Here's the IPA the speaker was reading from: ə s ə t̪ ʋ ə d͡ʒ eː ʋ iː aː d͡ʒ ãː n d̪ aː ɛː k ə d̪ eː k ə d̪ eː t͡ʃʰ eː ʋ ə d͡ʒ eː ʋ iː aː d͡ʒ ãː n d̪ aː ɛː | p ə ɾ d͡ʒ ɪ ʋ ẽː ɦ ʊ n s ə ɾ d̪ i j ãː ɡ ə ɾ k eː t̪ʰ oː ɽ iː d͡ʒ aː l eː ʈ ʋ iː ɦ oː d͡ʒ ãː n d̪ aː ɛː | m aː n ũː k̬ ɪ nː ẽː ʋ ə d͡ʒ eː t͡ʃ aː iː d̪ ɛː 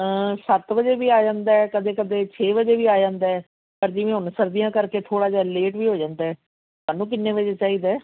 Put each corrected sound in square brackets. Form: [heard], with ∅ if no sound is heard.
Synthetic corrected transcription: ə s ə t̪ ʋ ə d͡ʒ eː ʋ iː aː d͡ʒ ãː n d̪ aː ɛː k ə d̪ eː k ə d̪ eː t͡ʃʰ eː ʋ ə d͡ʒ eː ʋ iː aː d͡ʒ ãː n d̪ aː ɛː | p ə ɾ d͡ʒ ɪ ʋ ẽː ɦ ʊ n s ə ɾ d̪ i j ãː [k] ə ɾ k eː t̪ʰ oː ɽ [aː] d͡ʒ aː l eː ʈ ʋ iː ɦ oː d͡ʒ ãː n d̪ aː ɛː | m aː n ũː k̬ ɪ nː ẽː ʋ ə d͡ʒ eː t͡ʃ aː iː d̪ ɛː